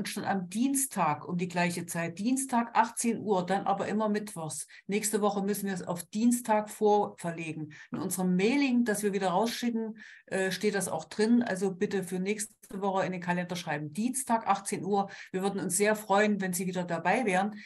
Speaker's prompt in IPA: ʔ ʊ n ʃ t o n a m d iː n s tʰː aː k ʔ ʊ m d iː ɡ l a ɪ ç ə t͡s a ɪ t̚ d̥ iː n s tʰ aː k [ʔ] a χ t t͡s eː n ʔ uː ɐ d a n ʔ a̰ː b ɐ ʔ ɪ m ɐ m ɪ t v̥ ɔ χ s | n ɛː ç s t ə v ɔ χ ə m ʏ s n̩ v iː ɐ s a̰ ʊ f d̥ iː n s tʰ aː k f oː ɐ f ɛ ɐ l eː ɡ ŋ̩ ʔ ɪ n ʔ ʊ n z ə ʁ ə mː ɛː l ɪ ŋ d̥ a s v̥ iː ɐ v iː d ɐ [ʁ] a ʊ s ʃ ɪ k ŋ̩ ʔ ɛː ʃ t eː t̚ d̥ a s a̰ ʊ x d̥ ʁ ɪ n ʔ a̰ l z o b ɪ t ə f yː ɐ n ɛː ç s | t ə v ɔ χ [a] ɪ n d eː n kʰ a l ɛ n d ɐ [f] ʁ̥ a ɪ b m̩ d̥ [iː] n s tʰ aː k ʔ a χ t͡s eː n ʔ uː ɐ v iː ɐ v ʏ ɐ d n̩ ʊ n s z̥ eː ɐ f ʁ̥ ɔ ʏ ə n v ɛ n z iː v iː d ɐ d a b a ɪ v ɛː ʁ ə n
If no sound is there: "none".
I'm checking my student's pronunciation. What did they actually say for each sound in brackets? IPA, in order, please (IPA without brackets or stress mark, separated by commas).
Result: ʔ, ʁ, ə, ʃ, iː